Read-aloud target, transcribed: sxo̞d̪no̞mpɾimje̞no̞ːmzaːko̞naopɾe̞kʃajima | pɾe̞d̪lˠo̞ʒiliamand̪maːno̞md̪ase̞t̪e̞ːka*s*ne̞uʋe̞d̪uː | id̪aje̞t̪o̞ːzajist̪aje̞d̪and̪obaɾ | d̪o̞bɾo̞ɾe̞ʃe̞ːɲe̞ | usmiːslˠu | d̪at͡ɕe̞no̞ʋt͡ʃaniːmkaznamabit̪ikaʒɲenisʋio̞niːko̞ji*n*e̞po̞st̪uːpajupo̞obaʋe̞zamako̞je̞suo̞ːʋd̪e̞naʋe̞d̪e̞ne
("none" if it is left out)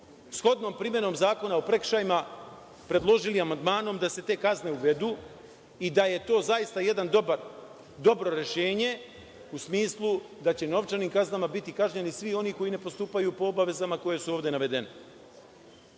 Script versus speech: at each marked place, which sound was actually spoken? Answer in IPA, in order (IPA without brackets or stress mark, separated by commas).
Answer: z, n